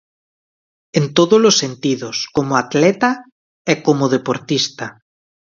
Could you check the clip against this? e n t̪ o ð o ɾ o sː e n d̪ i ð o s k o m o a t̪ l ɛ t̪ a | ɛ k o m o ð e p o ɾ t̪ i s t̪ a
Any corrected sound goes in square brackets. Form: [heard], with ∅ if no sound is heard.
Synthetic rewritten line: e n t̪ o ð o [l] o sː e n [t̪] i ð o s k o m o a t̪ l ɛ t̪ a | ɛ k o m o ð e p o ɾ t̪ i s t̪ a